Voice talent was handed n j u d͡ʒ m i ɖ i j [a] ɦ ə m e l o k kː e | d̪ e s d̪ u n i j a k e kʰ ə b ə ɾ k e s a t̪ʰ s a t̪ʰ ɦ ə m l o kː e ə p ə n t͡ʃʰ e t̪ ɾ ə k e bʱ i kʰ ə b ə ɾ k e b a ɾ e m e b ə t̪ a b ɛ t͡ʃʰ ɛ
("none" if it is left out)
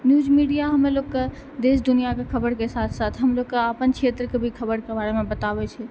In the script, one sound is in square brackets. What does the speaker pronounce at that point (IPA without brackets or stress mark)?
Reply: a